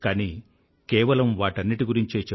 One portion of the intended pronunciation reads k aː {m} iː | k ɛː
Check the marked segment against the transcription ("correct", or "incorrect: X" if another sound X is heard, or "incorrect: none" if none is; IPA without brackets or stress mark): incorrect: n